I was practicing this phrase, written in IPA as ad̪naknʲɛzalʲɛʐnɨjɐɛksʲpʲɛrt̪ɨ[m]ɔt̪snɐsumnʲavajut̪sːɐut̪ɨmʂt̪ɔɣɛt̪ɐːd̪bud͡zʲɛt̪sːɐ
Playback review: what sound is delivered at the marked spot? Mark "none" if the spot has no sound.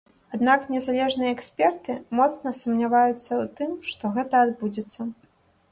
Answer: m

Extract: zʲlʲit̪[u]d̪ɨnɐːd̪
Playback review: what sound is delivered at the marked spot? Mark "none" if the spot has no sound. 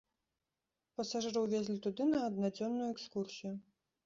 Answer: u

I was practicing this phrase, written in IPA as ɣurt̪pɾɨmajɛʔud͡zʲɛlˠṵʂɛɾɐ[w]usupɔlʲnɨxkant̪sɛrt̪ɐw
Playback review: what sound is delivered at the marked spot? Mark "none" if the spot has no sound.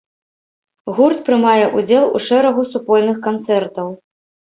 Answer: ɣ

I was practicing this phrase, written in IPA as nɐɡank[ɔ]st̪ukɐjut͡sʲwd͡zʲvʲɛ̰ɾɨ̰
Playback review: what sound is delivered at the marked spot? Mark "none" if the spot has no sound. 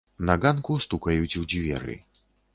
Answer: u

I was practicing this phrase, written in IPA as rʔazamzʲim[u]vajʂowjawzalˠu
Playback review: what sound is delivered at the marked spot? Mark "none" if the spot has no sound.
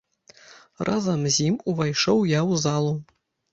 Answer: u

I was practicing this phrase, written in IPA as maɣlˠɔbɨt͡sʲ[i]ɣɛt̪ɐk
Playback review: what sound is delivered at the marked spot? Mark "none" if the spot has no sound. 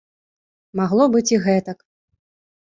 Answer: i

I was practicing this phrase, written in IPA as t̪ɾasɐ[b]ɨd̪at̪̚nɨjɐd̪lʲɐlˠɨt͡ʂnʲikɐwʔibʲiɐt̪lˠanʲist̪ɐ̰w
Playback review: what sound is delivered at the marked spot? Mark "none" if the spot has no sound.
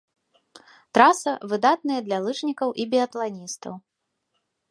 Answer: v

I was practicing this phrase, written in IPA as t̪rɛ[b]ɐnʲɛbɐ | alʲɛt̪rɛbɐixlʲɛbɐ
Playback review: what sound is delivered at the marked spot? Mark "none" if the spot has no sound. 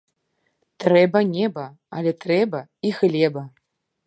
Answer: b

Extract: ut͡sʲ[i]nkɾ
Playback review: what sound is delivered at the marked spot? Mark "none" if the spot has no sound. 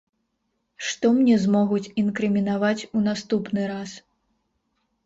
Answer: i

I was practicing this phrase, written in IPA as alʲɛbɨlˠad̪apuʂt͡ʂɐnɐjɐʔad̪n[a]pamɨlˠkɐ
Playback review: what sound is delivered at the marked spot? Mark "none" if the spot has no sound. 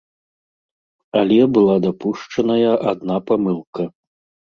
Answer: a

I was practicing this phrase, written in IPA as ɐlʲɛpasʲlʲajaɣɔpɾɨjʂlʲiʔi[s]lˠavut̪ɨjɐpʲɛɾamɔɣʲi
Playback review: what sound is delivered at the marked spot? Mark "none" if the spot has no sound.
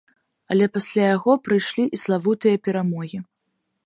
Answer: s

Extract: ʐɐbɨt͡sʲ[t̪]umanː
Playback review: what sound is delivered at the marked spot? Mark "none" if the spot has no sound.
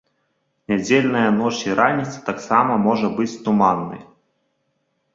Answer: t̪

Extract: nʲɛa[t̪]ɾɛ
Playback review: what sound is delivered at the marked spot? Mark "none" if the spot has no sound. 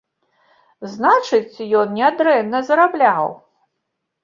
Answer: d̪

